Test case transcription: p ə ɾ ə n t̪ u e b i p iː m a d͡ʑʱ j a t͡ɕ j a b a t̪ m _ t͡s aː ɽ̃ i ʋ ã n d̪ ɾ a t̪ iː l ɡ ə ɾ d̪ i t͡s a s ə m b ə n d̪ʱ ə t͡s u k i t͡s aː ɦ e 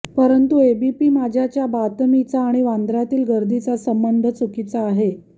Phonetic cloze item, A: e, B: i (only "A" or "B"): B